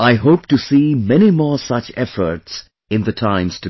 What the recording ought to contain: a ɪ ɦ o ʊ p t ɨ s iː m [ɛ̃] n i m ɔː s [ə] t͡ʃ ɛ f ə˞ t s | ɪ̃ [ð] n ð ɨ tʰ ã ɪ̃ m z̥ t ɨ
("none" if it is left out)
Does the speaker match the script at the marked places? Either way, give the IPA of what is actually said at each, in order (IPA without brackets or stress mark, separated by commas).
ɛ, ʌ, none